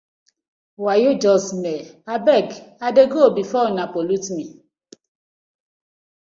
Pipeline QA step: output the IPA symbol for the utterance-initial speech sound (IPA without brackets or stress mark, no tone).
w